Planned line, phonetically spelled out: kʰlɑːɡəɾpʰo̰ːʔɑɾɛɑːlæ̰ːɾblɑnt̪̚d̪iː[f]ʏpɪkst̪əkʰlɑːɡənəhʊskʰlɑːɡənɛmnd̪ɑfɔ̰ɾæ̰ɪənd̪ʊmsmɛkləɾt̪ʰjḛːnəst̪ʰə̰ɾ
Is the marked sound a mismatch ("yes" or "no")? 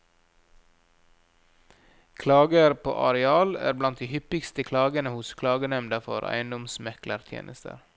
yes